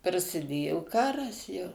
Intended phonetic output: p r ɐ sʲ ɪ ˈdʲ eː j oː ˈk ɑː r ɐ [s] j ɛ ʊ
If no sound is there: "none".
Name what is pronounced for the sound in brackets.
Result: s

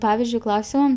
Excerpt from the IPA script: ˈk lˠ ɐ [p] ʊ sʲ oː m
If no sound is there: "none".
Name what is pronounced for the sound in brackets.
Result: none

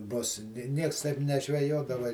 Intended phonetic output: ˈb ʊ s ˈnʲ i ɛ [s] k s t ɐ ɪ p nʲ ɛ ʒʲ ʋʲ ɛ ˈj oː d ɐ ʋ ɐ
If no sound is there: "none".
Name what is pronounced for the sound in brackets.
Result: none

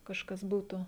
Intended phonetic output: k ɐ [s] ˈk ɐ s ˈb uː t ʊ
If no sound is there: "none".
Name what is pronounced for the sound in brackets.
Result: ʃ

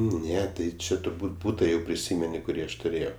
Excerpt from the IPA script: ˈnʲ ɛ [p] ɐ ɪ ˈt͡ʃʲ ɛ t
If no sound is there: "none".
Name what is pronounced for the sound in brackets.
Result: t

